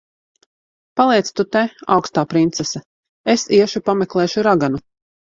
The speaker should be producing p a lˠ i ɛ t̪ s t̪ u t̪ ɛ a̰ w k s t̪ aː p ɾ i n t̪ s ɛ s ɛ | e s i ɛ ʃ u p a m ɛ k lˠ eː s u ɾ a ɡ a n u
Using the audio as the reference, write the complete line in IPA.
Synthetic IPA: p a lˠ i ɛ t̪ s t̪ u t̪ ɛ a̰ w k s t̪ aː p ɾ i n t̪ s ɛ s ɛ | e s i ɛ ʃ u p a m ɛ k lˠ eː ʃ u ɾ a ɡ a n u